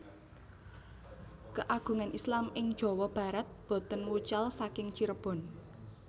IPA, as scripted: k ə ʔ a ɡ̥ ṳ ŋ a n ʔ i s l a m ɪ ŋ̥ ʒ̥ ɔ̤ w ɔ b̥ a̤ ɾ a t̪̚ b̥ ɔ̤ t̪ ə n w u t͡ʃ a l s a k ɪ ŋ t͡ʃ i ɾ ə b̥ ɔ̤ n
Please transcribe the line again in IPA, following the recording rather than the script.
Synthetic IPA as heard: k ə ʔ a ɡ̥ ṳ ŋ a n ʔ i s l a m ɪ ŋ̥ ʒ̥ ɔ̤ w ɔ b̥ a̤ ɾ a t̪̚ b̥ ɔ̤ t̪ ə n w u t͡ʃ a l s a k ɪ ŋ t͡ʃ i ɾ ə b̥ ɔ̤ n